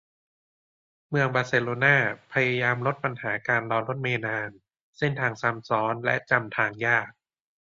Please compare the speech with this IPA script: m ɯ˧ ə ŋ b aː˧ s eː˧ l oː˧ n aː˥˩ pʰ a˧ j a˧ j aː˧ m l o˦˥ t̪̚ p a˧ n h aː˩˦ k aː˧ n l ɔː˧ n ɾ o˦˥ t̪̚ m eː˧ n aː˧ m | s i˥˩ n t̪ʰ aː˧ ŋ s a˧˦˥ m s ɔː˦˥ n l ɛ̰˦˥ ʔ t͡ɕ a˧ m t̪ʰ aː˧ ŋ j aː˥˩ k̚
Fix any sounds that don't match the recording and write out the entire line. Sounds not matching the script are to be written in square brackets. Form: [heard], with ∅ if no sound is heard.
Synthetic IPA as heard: m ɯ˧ ə ŋ b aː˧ s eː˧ l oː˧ n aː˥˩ pʰ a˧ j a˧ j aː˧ m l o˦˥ t̪̚ p a˧ n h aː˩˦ k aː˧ n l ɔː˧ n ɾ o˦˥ t̪̚ m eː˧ n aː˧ [n] | s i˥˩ n t̪ʰ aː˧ ŋ s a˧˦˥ m s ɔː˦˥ n l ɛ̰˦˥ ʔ t͡ɕ a˧ m t̪ʰ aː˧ ŋ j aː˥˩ k̚

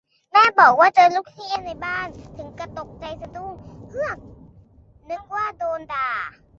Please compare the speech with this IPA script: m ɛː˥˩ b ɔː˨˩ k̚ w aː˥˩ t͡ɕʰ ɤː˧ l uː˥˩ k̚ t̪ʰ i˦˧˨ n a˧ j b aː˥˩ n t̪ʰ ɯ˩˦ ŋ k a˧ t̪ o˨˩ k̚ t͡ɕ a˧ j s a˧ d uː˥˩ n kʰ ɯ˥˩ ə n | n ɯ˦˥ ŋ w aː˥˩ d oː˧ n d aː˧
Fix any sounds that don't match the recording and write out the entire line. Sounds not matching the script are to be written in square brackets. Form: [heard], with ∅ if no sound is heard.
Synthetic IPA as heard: m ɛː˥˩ b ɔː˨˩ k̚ w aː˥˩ [t͡ɕ] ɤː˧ l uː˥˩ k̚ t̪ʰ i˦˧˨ n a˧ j b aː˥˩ n t̪ʰ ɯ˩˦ ŋ k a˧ t̪ o˨˩ k̚ t͡ɕ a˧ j s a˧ d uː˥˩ [ŋ] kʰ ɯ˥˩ ə [ŋ] | n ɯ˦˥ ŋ w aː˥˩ d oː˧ n d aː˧

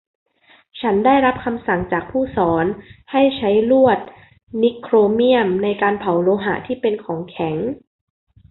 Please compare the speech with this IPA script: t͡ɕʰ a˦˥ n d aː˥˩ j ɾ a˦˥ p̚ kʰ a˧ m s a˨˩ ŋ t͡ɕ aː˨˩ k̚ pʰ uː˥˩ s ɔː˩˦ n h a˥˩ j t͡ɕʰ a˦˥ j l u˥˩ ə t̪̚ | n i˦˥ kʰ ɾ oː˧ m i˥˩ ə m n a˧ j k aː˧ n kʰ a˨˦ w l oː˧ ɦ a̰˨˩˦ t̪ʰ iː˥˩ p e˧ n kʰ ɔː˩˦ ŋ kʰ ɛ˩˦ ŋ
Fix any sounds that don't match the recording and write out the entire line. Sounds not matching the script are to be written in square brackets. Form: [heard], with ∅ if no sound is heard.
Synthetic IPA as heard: t͡ɕʰ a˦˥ n d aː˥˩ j ɾ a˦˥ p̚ kʰ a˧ m s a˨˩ ŋ t͡ɕ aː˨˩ k̚ pʰ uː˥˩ s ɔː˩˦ n h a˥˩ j t͡ɕʰ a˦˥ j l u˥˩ ə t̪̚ | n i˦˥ kʰ ɾ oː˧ m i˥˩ ə m n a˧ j k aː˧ n [pʰ] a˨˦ w l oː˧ ɦ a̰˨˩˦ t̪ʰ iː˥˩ p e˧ n kʰ ɔː˩˦ ŋ kʰ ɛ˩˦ ŋ

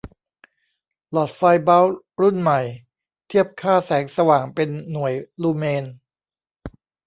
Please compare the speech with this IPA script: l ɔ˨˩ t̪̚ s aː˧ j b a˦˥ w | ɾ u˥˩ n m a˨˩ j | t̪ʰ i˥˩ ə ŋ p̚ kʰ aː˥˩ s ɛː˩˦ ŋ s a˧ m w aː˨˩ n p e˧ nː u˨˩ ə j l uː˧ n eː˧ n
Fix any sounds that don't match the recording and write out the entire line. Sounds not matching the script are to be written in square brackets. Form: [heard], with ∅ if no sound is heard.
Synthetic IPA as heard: l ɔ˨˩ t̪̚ [f] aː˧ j b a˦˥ w | ɾ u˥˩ n m a˨˩ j | t̪ʰ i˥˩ ə [∅] p̚ kʰ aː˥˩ s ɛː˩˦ ŋ s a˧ [∅] w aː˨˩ [ŋ] p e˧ nː u˨˩ ə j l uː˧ [m] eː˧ n

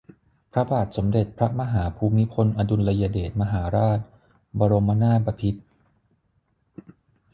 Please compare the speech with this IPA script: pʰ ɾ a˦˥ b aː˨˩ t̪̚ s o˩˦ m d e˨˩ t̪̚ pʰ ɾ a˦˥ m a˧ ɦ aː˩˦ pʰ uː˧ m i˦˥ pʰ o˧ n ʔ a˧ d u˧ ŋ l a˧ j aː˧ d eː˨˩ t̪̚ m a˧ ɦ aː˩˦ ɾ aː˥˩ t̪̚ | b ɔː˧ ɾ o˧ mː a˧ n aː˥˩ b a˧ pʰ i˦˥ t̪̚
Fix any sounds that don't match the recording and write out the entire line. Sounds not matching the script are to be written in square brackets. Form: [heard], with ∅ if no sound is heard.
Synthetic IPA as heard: pʰ ɾ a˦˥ b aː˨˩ t̪̚ s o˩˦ m d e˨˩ t̪̚ pʰ ɾ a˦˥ m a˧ ɦ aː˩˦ pʰ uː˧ m i˦˥ pʰ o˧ n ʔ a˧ d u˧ [n] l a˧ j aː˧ d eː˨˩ t̪̚ m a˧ ɦ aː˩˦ ɾ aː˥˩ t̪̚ | b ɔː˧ ɾ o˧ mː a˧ n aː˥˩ b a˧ pʰ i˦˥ t̪̚

